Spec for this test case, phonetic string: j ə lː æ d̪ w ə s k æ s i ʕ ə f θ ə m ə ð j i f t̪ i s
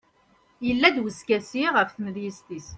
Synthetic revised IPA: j ə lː æ d̪ w ə s k æ s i ʁ ə f θ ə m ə ð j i s t̪ i s